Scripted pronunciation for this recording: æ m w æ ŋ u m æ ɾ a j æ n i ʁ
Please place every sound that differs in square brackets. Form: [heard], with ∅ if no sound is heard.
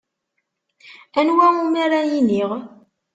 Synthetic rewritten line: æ [n] w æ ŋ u m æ ɾ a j [i] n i ʁ